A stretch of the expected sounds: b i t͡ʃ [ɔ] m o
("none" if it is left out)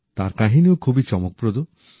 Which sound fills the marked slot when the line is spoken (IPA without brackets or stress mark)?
ɔ